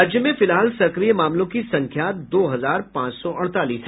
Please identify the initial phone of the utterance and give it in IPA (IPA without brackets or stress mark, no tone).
d͡ʒ